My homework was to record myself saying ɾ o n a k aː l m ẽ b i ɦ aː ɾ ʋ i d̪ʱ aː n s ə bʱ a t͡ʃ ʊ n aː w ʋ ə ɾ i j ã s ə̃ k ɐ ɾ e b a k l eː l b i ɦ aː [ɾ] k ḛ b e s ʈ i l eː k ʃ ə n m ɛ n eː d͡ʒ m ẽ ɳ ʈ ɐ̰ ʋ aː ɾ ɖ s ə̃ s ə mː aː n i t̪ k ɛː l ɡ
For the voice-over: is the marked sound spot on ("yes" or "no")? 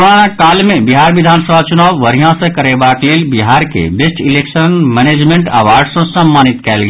yes